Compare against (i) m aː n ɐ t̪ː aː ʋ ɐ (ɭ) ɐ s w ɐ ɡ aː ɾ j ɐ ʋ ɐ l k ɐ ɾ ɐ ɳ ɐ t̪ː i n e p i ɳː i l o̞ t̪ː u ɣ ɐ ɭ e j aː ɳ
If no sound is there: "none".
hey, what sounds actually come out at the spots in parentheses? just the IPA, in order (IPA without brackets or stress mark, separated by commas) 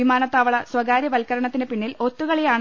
i, ɭ